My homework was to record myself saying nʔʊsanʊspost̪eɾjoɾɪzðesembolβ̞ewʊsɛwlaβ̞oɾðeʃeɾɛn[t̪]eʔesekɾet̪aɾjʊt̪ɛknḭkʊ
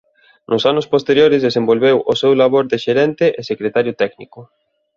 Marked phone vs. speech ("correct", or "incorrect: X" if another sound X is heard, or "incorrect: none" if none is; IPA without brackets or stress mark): correct